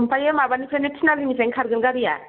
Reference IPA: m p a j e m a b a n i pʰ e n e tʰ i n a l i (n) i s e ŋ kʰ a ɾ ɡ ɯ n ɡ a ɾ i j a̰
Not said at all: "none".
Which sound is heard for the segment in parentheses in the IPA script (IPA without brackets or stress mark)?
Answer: m